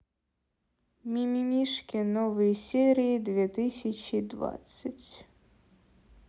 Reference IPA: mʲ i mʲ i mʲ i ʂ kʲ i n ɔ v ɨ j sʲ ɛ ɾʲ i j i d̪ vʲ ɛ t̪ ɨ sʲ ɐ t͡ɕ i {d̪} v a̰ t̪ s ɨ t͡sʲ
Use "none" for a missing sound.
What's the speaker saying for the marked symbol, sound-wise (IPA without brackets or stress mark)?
d̪